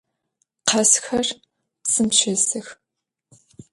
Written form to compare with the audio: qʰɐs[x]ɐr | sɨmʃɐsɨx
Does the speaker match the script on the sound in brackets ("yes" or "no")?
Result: yes